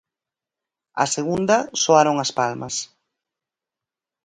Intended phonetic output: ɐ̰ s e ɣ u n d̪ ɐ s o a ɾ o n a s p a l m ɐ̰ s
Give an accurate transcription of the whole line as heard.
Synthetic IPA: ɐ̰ s e ɣ u n d̪ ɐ s o a ɾ o ŋ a s p a l m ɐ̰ s

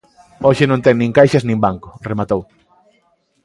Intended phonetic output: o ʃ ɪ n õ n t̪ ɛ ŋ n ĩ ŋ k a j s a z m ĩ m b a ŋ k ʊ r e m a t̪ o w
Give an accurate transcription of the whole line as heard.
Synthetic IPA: o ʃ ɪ n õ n t̪ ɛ ŋ n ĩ ŋ k a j ʃ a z n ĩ m b a ŋ k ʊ r e m a t̪ o w

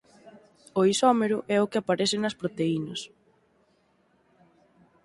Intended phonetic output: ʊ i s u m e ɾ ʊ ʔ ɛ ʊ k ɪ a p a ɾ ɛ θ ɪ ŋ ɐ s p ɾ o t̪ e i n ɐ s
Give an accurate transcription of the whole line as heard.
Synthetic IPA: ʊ i s ɔ m e ɾ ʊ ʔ ɛ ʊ k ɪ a p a ɾ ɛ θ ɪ n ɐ s p ɾ o t̪ e i n ɐ s

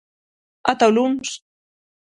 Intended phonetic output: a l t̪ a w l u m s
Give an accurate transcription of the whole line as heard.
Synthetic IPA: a t̪ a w l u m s

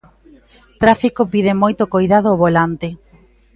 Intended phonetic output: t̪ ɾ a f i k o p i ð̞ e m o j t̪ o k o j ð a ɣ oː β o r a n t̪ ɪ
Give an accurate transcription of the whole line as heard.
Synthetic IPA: t̪ ɾ a f i k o p i ð̞ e m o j t̪ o k o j ð a ð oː β o l a n t̪ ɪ

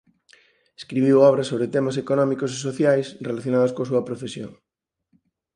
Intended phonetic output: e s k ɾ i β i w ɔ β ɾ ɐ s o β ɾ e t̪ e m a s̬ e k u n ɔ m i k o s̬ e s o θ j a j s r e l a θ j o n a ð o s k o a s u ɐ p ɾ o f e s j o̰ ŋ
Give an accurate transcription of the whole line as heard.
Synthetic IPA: e s k ɾ i β i w ɔ β ɾ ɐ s o β ɾ e t̪ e m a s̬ e k o n ɔ m i k o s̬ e s o θ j a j s r e l a θ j o n a ð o s k o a s u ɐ p ɾ o f e s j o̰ ŋ

